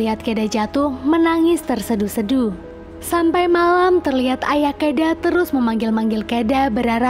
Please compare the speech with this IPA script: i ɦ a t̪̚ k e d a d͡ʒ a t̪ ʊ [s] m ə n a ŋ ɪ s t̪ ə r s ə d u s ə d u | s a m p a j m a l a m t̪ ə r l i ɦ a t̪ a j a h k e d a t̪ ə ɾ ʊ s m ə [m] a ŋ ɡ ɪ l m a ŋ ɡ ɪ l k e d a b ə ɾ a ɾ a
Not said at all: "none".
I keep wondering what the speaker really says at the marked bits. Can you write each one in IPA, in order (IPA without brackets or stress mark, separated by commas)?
h, m